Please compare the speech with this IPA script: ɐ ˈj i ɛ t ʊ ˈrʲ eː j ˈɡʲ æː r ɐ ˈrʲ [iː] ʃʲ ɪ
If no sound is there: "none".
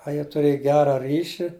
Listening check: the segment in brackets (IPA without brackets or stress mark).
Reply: iː